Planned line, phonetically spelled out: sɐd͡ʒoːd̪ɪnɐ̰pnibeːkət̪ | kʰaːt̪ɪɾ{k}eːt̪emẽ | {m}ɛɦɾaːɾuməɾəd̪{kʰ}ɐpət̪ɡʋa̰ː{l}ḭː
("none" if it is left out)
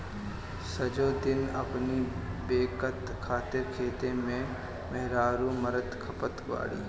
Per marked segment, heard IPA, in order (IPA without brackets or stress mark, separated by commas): kʰ, m, kʰ, ɽ